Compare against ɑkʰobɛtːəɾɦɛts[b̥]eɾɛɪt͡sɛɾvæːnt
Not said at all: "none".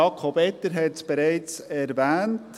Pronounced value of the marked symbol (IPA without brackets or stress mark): b̥